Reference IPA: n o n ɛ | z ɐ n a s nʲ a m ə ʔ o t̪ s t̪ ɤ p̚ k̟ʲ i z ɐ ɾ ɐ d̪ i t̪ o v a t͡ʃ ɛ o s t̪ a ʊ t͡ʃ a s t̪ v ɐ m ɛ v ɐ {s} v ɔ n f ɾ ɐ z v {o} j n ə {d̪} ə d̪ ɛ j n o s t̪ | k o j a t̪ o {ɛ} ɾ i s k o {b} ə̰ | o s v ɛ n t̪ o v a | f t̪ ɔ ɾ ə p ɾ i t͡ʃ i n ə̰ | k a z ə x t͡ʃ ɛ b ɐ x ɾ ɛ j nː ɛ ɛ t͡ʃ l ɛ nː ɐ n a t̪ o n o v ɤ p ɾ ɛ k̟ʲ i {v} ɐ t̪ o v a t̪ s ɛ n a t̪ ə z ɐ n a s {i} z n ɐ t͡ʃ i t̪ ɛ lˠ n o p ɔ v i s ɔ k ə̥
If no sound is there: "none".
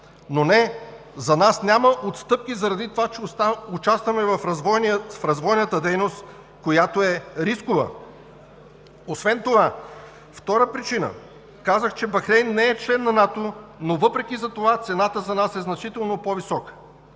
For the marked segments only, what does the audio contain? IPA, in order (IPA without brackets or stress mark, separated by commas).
f, ɔ, t̪, ɛ, v, z, ɛ